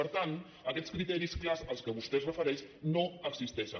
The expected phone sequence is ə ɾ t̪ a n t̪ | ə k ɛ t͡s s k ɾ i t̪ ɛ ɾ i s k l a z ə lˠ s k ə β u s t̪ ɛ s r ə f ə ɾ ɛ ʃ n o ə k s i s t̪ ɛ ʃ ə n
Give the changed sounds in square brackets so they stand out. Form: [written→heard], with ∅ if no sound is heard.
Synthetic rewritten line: ə ɾ t̪ a n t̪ | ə k ɛ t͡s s k ɾ i t̪ ɛ ɾ i s k l a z ə lˠ s k ə β u s t̪ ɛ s r ə f ə ɾ ɛ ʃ n o ə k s i s t̪ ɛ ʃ ə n